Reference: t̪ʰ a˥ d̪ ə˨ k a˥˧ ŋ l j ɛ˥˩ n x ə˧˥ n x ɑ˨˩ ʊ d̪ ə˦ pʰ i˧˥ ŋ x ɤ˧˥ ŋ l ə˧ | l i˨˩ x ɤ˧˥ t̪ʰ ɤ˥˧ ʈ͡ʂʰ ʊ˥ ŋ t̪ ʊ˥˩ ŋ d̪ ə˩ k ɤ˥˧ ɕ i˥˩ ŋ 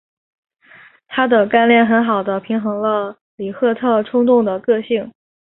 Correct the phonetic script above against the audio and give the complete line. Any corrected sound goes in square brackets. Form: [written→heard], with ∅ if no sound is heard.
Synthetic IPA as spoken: t̪ʰ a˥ d̪ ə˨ k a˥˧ [ŋ→n] l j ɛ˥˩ n x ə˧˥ n x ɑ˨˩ ʊ d̪ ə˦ pʰ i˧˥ ŋ x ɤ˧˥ ŋ l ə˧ | l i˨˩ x [ɤ˧˥→ɤ˥˧] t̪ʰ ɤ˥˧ ʈ͡ʂʰ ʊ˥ ŋ t̪ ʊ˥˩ ŋ d̪ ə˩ k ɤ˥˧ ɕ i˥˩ ŋ